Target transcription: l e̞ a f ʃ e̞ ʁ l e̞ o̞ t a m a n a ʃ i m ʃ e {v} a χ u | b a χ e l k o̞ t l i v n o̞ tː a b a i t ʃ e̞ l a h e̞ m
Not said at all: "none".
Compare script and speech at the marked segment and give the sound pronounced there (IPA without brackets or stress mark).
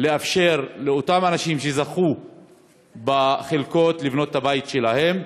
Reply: z